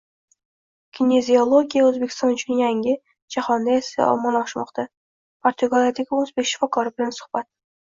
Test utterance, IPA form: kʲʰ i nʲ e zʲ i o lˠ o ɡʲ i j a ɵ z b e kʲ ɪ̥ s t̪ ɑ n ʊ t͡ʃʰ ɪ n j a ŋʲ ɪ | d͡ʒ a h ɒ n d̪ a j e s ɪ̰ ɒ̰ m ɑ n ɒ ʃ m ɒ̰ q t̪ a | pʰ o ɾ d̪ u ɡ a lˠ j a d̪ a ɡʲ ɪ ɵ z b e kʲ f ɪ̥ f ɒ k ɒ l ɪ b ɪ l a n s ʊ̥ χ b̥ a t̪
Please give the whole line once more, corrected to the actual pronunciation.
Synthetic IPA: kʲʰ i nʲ e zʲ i o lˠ o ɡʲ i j a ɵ z b e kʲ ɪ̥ s t̪ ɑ n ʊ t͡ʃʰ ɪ n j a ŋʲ ɪ | d͡ʒ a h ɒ n d̪ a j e s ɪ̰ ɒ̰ m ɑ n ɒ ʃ m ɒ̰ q t̪ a | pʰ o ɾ t̪ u ɡ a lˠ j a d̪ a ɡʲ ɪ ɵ z b e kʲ ʃ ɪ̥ f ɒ k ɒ ɾ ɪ b ɪ l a n s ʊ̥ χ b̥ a t̪